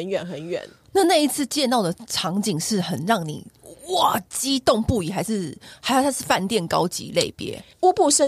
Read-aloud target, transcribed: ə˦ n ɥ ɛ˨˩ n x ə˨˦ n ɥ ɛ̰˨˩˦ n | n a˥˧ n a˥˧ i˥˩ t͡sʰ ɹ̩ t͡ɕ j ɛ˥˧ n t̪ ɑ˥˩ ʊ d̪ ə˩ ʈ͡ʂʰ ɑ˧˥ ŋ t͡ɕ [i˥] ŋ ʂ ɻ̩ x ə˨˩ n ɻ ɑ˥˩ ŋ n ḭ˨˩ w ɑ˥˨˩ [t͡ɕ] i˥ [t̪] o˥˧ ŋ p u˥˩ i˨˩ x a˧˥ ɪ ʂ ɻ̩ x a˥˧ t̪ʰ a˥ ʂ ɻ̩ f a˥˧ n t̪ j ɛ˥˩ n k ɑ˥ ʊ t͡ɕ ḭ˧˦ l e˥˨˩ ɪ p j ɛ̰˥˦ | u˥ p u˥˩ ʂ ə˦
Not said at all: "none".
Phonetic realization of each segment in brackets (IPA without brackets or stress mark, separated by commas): i˨˩, t͡ɕ, t̪